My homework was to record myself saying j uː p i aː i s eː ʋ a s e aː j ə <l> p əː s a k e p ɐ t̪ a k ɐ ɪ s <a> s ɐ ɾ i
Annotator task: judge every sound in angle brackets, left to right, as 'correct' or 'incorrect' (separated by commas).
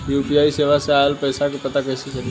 correct, incorrect